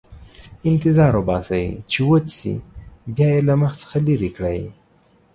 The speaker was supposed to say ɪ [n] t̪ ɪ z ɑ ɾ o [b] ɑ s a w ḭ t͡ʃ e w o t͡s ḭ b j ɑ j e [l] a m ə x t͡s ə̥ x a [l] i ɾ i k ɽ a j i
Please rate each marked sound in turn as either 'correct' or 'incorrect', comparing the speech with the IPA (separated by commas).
correct, correct, correct, correct